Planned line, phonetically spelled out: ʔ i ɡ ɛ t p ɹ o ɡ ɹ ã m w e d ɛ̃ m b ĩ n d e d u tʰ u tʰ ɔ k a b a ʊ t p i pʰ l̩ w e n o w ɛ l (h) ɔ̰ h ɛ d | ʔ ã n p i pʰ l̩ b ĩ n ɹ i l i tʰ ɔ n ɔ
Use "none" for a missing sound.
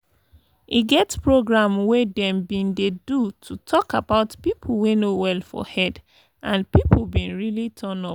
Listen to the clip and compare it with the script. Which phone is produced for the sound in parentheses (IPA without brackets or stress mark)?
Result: f